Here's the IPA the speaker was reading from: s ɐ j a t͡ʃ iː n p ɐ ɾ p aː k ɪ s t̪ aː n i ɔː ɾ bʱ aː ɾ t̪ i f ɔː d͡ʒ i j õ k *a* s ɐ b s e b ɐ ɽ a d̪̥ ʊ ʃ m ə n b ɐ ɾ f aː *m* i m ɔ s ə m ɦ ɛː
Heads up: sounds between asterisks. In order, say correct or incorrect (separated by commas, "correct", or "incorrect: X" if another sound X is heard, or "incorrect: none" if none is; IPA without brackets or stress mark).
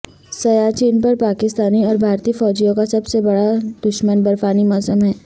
correct, incorrect: n